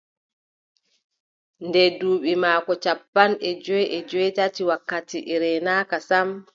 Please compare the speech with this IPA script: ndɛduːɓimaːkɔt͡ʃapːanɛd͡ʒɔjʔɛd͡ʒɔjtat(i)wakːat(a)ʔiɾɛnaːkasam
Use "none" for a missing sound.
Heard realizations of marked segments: i, i

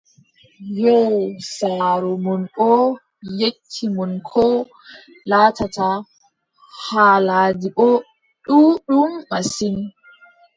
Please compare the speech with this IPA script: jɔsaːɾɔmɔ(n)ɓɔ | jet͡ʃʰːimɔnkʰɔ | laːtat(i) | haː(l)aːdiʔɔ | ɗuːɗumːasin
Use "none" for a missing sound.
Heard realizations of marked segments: n, a, l

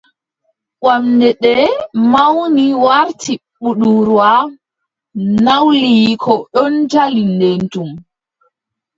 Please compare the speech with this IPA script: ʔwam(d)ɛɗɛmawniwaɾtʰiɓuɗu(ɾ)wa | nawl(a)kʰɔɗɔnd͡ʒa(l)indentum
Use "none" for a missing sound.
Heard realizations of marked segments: d, ɾ, i, l

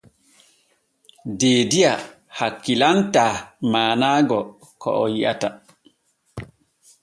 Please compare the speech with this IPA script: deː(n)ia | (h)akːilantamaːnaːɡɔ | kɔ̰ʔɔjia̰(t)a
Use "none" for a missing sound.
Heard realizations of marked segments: d, h, t

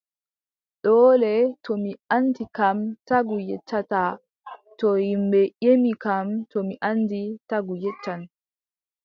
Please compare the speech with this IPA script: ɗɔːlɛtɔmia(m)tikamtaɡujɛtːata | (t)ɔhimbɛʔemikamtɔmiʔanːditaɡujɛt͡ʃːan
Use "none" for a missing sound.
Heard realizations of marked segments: n, t

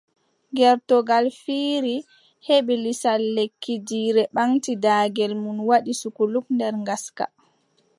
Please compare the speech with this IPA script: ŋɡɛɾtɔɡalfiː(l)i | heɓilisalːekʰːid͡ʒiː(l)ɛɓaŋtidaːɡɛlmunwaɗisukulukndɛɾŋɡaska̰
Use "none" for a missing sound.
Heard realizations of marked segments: ɾ, ɾ

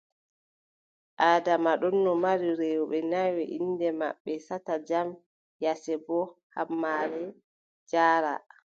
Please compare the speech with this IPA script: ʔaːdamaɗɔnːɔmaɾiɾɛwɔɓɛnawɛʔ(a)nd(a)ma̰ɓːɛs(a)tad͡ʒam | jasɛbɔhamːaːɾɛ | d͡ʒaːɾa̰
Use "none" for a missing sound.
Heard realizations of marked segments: i, ɛ, a

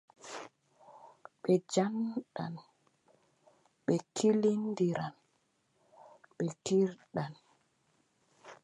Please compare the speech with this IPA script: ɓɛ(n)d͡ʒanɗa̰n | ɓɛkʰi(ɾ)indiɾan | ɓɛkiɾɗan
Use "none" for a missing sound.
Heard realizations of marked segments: none, l

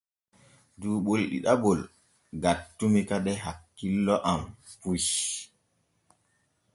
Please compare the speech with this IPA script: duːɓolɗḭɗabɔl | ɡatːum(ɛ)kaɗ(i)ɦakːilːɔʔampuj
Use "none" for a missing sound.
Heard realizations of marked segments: i, ɛ

